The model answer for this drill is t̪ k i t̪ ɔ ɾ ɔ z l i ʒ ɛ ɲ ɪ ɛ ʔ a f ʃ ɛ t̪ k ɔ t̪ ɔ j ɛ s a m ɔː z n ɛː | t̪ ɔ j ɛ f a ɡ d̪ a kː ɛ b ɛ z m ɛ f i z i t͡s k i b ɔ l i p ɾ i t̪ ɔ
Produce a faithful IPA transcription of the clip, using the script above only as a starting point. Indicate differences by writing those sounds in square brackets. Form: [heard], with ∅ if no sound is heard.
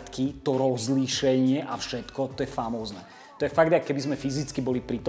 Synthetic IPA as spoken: t̪ k i t̪ ɔ ɾ ɔ z l i [ʃ] ɛ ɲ ɪ ɛ ʔ a f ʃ ɛ t̪ k ɔ t̪ ɔ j ɛ [f] a m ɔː z n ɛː | t̪ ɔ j ɛ f a ɡ d̪ a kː ɛ b [i] z m ɛ f i z i t͡s k i b ɔ l i p ɾ i t̪ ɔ